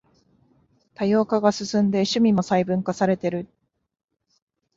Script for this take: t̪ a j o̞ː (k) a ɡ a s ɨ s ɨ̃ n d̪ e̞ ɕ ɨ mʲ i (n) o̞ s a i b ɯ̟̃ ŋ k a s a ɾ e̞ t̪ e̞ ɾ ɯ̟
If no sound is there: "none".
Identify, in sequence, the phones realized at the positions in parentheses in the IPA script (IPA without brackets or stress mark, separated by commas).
k, m